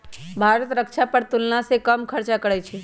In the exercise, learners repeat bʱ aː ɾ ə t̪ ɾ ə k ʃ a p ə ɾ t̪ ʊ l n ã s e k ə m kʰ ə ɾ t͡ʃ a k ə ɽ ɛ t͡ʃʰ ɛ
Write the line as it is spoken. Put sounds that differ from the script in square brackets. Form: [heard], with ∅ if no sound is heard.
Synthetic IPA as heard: bʱ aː ɾ ə t̪ ɾ ə k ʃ a p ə ɾ t̪ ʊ l n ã s e k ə m kʰ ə ɾ t͡ʃ a k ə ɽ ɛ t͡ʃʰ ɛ